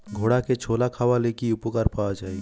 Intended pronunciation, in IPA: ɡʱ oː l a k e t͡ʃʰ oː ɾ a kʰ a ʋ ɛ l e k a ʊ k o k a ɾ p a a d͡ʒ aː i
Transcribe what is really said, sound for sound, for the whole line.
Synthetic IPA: ɡʱ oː ɽ a k e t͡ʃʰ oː l a kʰ a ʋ a l e k i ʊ p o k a ɾ p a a d͡ʒ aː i

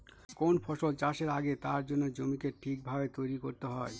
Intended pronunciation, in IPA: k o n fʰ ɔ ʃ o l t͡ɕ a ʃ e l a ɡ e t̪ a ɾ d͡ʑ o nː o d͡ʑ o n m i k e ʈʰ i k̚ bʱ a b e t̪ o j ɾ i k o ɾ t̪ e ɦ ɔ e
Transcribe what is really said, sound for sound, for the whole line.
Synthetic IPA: k o n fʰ ɔ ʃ o l t͡ɕ a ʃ e ɾ a ɡ e t̪ a ɾ d͡ʑ o nː o d͡ʑ o m i k e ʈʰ i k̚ bʱ a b e t̪ o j ɾ i k o ɾ t̪ e ɦ ɔ e

